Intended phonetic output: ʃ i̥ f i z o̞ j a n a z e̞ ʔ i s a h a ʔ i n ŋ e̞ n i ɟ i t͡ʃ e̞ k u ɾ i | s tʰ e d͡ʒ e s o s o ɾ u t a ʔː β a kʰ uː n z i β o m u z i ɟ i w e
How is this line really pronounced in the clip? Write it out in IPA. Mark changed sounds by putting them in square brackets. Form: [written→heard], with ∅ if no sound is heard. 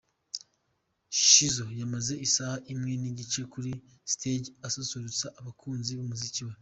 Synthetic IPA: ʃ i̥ [f→ʃ] i z o̞ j a [n→m] a z e̞ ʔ i s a h a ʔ i [n→m] ŋ e̞ n i ɟ i t͡ʃ e̞ k u ɾ i | s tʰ e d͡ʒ [e→a] s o s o ɾ u [t→t͡s] a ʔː β a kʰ uː n z i β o m u z i [ɟ→c] i w e